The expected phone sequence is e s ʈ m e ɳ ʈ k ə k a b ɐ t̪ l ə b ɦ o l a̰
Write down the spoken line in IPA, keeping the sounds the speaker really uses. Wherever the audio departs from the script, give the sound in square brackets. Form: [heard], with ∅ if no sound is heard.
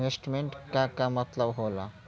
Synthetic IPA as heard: e s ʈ m e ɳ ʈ k [a] k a [m] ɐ t̪ l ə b ɦ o l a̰